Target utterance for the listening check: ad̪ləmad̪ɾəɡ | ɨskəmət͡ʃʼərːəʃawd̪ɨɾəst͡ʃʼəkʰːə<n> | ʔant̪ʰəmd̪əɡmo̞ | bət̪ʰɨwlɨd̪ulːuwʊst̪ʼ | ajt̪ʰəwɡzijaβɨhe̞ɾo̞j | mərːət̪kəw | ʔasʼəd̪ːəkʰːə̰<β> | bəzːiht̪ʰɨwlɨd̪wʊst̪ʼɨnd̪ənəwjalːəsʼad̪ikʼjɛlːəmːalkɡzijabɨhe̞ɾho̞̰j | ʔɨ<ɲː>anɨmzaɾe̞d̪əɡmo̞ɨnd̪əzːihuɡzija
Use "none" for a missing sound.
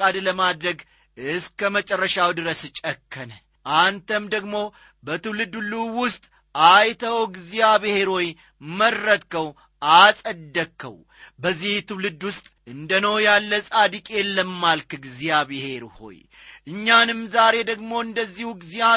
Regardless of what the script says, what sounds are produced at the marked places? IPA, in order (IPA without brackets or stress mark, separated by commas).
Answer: n, w, ɲː